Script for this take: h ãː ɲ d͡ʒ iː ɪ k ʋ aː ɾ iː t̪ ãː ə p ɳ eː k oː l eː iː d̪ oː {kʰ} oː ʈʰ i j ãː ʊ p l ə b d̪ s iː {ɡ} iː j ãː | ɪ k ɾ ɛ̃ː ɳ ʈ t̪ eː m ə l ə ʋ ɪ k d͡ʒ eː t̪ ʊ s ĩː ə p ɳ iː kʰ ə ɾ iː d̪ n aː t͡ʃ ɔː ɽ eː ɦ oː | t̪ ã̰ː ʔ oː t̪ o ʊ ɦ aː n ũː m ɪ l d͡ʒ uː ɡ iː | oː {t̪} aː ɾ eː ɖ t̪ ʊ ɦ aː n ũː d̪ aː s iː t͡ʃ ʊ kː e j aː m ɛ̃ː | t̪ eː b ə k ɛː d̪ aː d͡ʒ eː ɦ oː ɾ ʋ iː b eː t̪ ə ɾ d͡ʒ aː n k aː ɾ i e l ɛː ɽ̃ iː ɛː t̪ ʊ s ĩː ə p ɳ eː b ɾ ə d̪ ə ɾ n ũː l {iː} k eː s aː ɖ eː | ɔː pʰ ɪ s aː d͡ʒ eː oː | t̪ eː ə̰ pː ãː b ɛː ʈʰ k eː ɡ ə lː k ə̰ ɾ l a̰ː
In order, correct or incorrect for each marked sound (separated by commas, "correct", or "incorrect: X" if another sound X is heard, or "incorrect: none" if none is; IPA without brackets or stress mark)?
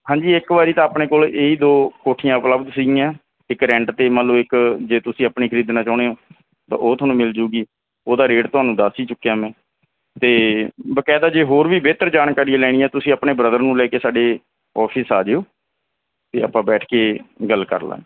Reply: incorrect: k, correct, incorrect: d̪, incorrect: ɛː